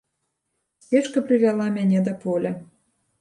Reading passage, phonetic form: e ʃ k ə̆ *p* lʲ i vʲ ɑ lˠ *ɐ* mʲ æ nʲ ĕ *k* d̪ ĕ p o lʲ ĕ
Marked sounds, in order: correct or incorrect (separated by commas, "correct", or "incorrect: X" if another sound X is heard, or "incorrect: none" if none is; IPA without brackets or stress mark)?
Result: correct, incorrect: ɑ, incorrect: none